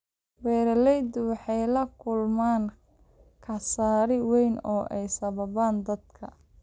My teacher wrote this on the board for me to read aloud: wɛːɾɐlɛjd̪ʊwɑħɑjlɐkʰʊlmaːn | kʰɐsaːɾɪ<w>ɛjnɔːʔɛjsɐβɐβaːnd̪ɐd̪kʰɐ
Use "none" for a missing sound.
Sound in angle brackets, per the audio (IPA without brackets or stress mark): w